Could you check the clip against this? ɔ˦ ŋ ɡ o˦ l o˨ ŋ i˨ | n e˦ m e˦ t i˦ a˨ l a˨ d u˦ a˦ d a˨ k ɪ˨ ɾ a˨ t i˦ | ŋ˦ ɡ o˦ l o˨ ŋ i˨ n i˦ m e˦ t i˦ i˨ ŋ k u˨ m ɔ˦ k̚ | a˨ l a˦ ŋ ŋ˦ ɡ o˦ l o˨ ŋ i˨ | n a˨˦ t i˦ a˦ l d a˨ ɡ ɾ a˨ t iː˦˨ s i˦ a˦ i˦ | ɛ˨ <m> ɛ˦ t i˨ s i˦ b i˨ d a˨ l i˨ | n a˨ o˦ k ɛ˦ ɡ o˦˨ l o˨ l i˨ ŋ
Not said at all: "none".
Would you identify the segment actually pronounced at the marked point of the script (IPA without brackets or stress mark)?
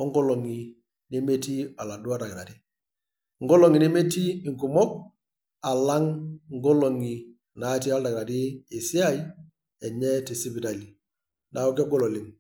ɲ